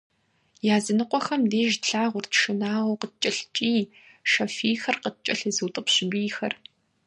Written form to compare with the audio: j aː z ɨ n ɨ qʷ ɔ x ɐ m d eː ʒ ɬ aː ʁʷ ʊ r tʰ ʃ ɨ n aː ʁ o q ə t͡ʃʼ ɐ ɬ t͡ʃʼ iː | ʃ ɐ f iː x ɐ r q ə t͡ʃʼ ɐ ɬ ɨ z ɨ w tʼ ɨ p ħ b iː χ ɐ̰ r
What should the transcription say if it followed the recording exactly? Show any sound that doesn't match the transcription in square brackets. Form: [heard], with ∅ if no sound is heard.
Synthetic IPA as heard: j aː z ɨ n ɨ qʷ ɔ x ɐ m d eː ʒ ɬ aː ʁʷ ʊ r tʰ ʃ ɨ n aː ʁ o q ə t͡ʃʼ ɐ ɬ t͡ʃʼ iː | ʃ ɐ f iː x ɐ r q ə t͡ʃʼ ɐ ɬ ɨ z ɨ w tʼ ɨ p [ɕ] b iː [x] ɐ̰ r